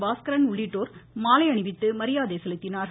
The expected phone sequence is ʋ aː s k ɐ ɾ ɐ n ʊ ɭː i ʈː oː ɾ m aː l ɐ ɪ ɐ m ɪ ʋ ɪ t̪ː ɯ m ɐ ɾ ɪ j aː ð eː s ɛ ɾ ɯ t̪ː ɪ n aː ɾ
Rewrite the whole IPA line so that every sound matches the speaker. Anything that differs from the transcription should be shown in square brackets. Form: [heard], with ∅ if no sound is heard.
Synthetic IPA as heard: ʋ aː s k ɐ ɾ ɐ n ʊ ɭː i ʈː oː ɾ m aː l ɐ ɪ ɐ [ɳ] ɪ ʋ ɪ t̪ː ɯ m ɐ ɾ ɪ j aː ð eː s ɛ [l] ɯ t̪ː ɪ n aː ɾ